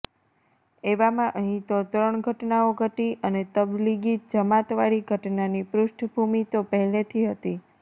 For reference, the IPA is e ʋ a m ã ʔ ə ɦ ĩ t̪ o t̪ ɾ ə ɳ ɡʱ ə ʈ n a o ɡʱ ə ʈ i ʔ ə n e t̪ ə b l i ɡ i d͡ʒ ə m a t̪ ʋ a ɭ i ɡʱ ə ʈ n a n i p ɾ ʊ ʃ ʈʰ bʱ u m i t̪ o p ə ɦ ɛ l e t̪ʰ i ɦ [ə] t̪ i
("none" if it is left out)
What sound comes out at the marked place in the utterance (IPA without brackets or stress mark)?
ə